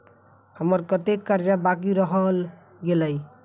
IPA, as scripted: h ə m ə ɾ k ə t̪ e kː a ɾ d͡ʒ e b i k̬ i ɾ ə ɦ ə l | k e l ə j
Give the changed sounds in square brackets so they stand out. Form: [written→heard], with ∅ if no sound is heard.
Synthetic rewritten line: h ə m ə ɾ k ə t̪ e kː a ɾ d͡ʒ [e→a] b [i→a] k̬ i ɾ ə ɦ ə l | [k→ɡ] e l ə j